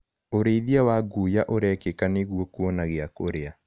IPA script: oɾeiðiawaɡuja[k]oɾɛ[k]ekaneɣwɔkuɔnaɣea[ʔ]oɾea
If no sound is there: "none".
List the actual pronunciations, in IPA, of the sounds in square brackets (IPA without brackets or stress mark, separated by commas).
ʔ, k, k